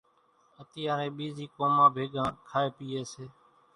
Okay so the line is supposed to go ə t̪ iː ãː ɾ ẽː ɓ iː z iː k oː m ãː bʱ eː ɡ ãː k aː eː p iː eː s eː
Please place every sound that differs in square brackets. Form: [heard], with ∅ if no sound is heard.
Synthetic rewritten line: ə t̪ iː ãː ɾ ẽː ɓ iː z iː k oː m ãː bʱ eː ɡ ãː [kʰ] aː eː p iː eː s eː